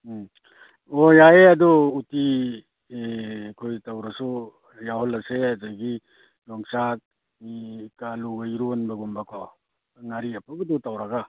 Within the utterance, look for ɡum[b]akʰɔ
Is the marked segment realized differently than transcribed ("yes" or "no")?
no